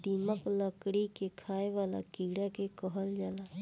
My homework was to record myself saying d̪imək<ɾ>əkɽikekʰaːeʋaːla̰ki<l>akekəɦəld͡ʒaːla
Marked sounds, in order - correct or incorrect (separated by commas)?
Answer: incorrect, incorrect